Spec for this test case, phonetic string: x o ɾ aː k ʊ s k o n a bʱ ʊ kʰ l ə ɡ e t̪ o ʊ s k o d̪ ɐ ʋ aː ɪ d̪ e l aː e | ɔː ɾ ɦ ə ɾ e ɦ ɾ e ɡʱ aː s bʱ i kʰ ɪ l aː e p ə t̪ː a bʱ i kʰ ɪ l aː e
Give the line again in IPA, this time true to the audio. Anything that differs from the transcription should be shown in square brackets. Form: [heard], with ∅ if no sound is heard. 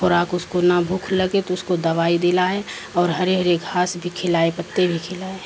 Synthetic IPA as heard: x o ɾ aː k ʊ s k o n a bʱ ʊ kʰ l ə ɡ e t̪ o ʊ s k o d̪ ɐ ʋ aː [i] d̪ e l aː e | ɔː ɾ ɦ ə ɾ e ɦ ɾ e ɡʱ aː s bʱ i kʰ ɪ l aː e p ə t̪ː [e] bʱ i kʰ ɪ l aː e